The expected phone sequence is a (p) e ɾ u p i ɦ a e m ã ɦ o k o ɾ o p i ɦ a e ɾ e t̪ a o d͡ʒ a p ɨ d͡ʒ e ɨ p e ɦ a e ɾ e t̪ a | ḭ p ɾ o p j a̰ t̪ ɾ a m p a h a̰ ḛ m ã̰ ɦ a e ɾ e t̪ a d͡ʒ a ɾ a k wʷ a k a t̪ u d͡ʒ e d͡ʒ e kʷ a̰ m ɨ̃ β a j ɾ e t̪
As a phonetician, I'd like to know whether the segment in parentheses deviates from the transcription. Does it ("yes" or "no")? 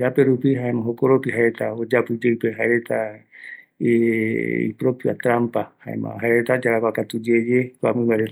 no